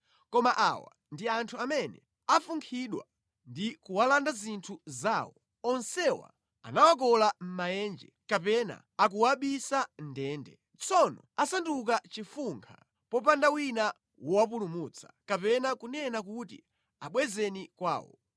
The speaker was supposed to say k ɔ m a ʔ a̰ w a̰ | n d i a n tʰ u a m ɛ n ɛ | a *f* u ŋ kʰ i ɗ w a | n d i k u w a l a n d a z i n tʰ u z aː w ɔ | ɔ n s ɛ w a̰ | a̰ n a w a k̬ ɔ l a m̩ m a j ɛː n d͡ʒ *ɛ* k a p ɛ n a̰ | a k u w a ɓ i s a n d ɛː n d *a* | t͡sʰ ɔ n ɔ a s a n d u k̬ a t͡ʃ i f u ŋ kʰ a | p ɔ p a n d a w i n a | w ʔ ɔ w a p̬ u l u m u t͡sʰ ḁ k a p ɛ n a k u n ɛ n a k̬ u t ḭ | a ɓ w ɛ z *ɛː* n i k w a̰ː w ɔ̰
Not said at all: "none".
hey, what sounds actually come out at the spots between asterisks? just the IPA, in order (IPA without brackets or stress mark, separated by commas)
f, ɛ, ɛ, ɛ